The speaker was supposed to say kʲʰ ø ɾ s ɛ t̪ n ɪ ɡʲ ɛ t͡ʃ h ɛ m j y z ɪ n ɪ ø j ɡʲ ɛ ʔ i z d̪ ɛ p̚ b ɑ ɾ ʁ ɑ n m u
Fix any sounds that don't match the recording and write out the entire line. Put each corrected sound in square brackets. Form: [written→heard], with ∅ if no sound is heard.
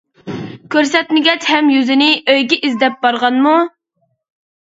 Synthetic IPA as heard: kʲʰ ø ɾ s ɛ t̪ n ɪ ɡʲ ɛ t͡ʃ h ɛ m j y z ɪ n ɪ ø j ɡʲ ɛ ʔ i z d̪ ɛ p̚ b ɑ ɾ ʁ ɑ n m u